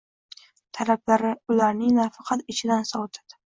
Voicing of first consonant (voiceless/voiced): voiceless